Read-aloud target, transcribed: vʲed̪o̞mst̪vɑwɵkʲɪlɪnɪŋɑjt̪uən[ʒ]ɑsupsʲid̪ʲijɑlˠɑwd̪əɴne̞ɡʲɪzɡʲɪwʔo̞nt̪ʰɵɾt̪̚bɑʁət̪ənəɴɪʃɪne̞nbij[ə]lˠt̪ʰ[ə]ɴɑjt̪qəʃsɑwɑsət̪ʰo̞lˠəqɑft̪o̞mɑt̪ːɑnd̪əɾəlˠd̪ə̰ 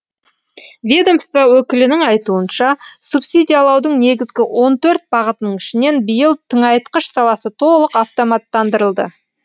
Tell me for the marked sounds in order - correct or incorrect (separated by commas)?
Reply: incorrect, correct, correct